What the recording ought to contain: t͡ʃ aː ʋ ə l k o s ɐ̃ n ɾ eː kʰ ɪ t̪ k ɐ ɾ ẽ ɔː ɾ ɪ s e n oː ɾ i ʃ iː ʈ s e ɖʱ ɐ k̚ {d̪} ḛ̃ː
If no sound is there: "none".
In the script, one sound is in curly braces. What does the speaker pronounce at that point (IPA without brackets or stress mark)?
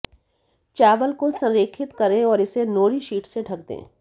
d̪